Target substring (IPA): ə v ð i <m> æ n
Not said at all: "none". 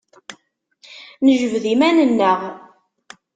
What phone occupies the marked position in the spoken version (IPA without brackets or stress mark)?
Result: m